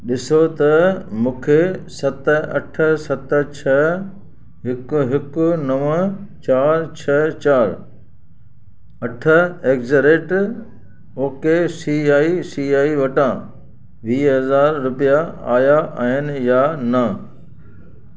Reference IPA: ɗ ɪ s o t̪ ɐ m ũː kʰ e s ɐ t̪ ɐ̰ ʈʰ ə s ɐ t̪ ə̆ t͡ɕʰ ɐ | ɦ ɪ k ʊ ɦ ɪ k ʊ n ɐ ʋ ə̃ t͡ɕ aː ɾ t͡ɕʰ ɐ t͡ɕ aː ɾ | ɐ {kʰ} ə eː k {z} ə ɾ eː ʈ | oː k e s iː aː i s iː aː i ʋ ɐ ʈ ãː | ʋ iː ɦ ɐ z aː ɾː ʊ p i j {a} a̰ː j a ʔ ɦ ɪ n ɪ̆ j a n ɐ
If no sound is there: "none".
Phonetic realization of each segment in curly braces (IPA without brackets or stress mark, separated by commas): ʈʰ, z, a